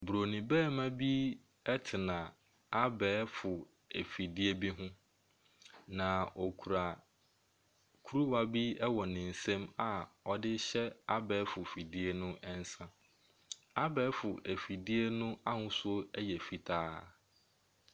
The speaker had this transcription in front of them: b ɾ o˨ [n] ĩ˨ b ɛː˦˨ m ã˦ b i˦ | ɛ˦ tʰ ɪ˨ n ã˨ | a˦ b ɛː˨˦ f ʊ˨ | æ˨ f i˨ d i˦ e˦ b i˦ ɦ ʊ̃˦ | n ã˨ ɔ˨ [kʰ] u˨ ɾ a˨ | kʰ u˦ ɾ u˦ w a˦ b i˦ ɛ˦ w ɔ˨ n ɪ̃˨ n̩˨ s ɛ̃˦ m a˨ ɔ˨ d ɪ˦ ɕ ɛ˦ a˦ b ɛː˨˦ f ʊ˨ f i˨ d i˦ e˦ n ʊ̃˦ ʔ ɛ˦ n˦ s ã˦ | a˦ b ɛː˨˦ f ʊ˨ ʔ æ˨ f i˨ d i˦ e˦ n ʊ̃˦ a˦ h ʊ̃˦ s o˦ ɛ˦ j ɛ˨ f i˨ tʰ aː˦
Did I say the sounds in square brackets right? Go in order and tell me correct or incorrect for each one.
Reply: correct, correct

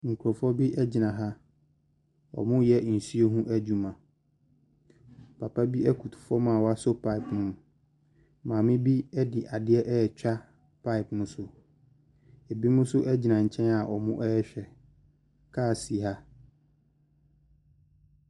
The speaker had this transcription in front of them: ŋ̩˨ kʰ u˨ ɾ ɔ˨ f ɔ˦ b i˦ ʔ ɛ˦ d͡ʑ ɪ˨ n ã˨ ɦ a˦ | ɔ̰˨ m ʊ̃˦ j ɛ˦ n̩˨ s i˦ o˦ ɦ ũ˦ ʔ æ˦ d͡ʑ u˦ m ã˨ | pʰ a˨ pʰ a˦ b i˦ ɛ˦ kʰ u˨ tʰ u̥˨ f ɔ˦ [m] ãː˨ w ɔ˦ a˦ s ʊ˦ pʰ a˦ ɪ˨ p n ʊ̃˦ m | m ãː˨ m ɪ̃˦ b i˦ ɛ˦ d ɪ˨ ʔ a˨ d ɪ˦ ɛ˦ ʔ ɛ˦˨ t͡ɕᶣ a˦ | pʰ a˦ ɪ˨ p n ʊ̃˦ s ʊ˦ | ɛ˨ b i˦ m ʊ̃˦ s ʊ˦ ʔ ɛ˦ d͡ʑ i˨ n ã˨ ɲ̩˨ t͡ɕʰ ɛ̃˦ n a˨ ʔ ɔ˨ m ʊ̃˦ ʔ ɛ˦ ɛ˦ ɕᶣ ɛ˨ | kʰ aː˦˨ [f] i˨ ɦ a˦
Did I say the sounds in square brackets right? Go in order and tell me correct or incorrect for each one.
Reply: correct, incorrect: s

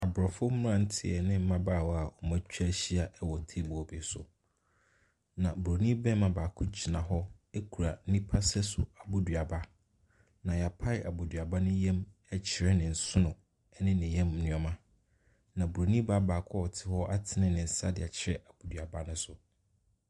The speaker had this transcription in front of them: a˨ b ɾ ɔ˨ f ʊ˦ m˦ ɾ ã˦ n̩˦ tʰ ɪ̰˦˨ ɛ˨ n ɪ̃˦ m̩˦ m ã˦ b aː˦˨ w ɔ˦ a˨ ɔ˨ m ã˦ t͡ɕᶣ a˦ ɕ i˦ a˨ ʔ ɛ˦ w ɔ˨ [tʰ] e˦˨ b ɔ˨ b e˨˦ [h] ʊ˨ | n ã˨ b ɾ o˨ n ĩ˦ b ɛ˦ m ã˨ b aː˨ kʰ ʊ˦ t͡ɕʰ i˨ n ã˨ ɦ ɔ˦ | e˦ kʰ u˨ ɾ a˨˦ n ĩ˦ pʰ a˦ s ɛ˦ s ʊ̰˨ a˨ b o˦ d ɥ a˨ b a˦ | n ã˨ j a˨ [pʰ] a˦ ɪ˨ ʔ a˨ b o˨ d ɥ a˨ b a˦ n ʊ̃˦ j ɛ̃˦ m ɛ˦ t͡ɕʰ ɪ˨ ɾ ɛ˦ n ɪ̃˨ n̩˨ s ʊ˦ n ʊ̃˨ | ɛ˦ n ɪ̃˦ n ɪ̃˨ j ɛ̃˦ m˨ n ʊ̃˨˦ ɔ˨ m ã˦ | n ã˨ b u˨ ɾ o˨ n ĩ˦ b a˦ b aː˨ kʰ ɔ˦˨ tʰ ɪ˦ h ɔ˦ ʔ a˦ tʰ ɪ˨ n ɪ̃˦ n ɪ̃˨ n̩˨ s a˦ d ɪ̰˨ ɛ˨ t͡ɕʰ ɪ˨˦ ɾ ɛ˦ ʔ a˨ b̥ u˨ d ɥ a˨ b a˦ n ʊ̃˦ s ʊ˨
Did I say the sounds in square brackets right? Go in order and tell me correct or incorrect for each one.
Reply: correct, incorrect: s, correct

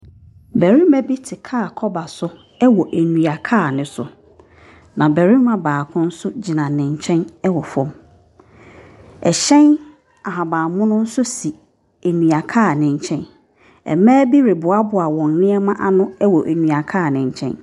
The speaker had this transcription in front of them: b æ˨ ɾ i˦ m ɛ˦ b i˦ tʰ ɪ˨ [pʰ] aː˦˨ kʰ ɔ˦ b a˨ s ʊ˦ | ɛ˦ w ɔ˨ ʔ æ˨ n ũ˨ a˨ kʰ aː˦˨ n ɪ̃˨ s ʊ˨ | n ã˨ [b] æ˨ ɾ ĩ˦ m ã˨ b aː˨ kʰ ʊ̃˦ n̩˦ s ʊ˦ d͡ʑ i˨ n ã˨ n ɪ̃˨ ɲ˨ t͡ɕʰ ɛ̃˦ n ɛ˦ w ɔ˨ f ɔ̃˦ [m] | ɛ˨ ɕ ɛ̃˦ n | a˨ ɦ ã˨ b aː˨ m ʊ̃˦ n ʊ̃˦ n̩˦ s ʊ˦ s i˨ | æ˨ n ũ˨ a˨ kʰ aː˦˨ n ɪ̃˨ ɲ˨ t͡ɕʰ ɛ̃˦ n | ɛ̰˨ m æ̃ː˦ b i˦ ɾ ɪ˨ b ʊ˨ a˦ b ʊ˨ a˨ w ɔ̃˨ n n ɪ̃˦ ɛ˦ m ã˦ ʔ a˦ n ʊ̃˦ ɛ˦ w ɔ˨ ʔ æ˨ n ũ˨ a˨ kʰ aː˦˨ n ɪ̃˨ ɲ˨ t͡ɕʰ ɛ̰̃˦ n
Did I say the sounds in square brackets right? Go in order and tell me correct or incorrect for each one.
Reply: incorrect: kʰ, correct, correct

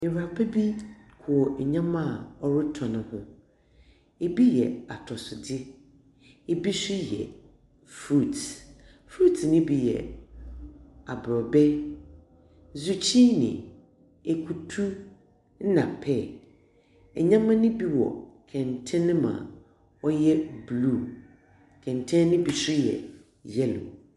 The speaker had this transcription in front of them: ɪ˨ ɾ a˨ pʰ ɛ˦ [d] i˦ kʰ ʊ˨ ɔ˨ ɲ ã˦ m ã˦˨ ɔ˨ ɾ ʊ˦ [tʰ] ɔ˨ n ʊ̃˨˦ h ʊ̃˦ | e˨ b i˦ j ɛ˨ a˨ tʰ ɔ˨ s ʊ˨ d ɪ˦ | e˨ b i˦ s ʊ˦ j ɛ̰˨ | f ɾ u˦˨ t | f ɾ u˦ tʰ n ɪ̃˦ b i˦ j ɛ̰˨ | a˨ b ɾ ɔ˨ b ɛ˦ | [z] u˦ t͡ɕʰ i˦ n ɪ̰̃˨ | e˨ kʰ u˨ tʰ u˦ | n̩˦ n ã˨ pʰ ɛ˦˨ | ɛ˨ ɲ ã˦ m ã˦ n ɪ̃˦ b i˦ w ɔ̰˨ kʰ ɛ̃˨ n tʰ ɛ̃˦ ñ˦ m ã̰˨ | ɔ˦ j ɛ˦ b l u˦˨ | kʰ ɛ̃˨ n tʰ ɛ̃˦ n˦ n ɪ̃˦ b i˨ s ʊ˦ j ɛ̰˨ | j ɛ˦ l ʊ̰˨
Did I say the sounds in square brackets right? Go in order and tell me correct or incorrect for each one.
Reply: incorrect: b, correct, correct

